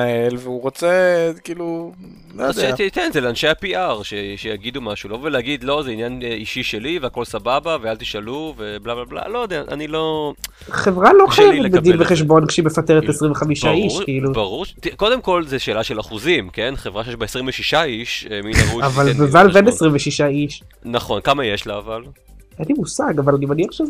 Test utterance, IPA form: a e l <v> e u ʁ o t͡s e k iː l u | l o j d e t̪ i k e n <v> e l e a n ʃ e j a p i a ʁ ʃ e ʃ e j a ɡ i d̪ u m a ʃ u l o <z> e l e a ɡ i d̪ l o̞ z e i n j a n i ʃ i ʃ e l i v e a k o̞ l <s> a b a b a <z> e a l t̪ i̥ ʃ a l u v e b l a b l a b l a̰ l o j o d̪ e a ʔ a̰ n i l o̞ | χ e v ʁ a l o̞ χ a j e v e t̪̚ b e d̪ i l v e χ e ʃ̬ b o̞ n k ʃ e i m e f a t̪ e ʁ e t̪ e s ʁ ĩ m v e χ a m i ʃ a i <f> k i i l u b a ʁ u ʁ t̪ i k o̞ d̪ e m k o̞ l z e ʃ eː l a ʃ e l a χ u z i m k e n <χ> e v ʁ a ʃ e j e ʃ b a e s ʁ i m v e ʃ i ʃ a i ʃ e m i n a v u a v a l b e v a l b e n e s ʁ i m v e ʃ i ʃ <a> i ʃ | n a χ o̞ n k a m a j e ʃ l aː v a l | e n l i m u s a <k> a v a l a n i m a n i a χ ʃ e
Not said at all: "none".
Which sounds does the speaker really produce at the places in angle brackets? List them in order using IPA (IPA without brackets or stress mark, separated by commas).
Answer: v, z, v, s, v, ʃ, χ, a, ɡ